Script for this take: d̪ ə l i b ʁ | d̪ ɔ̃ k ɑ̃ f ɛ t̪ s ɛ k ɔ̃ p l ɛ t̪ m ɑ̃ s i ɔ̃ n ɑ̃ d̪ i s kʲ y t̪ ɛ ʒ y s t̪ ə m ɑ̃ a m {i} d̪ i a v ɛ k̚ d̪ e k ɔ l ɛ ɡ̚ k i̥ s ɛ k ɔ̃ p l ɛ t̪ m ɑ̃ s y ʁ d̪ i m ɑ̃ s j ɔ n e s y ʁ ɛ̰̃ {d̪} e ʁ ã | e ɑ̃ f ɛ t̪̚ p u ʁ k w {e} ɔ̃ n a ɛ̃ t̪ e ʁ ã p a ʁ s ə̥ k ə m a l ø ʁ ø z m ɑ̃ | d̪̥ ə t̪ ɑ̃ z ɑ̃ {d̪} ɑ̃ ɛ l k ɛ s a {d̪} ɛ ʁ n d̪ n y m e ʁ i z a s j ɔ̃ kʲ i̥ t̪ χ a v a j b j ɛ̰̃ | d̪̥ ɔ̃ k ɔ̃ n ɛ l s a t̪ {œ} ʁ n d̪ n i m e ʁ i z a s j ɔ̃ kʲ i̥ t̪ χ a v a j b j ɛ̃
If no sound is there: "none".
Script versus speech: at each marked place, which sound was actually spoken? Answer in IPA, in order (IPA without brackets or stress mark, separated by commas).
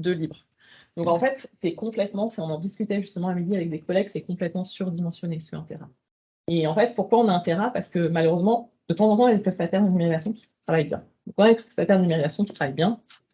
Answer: i, t̪, a, t̪, t̪, ɛ